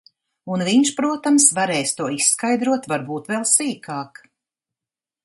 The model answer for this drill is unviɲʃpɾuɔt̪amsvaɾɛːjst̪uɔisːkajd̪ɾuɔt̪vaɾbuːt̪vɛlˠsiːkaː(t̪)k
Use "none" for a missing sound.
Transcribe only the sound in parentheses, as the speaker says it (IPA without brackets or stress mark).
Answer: none